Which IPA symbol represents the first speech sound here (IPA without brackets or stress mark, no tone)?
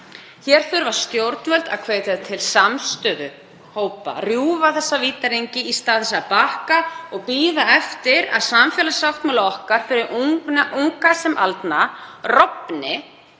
ç